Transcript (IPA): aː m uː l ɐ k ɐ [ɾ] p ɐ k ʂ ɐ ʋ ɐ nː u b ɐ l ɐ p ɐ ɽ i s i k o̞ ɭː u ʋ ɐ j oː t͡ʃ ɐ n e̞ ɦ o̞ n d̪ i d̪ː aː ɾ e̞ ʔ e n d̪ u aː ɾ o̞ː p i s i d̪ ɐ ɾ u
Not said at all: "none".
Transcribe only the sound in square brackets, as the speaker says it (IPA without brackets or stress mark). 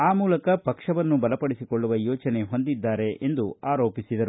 none